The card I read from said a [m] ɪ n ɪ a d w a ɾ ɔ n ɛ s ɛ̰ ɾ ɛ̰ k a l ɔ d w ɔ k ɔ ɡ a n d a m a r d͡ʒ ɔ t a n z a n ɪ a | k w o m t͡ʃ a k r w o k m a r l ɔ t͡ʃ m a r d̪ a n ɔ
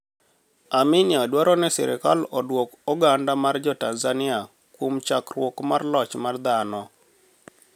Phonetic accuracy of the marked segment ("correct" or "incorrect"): correct